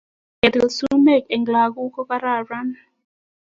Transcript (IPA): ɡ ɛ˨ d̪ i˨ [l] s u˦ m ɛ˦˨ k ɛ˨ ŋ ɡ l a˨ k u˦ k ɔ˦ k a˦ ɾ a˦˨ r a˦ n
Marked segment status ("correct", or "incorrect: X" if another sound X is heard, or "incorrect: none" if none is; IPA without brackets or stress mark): correct